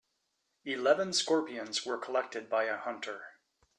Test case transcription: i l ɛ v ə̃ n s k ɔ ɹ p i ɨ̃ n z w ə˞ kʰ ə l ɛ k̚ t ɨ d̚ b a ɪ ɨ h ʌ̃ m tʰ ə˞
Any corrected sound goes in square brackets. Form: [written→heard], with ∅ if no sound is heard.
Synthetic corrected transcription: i l ɛ v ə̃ n s k ɔ ɹ p i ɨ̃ n z w ə˞ kʰ ə l ɛ k̚ t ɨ d̚ b a ɪ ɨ h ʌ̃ [m→n] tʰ ə˞